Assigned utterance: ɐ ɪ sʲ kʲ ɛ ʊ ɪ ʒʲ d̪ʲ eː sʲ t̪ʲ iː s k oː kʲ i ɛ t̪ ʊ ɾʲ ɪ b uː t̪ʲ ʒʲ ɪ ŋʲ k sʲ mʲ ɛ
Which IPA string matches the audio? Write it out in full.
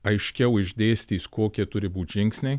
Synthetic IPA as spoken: ɐ ɪ ʃʲ kʲ ɛ ʊ ɪ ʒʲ d̪ʲ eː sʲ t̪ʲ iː s k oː kʲ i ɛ t̪ ʊ ɾʲ ɪ b uː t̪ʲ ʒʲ ɪ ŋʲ k sʲ nʲ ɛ